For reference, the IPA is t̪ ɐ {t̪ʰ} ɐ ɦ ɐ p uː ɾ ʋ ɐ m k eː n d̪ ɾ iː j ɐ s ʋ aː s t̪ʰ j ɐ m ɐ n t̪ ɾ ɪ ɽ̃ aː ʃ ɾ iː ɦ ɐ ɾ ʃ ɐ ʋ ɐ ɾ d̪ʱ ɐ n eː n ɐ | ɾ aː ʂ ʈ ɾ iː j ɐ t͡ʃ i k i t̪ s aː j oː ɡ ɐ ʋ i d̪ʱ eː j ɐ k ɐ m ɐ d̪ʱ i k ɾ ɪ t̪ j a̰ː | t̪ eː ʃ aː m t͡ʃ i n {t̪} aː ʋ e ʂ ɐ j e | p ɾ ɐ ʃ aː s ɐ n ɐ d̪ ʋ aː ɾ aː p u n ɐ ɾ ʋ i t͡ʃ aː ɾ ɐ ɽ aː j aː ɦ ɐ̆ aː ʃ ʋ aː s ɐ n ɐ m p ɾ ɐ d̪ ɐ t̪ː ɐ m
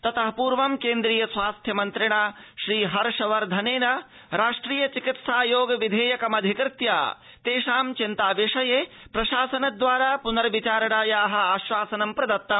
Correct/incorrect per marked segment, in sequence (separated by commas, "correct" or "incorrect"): incorrect, correct